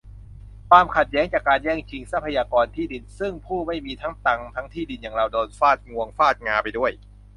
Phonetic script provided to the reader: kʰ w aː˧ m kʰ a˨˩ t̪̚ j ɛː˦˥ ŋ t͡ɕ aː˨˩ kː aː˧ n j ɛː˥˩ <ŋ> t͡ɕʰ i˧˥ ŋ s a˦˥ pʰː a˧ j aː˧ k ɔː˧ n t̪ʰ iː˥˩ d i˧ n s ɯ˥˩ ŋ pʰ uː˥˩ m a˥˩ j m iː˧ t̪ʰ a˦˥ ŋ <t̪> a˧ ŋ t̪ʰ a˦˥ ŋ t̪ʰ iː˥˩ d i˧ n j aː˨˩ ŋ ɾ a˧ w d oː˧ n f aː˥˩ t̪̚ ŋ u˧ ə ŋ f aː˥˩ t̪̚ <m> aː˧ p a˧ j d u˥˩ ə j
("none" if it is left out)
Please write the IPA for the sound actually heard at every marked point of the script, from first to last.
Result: ŋ, t̪, ŋ

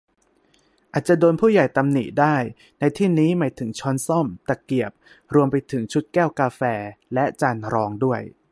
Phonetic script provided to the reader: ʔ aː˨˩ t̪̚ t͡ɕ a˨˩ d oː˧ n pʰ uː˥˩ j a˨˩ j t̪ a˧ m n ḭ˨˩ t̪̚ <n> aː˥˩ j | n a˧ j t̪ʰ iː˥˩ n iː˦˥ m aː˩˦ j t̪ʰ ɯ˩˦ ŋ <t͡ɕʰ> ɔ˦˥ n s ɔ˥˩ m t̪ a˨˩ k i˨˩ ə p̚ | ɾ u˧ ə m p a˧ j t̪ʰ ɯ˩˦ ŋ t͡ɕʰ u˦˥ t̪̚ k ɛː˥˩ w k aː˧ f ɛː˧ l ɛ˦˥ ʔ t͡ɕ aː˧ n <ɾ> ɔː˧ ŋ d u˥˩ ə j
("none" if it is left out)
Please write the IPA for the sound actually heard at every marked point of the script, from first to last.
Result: d, t͡ɕʰ, ɾ

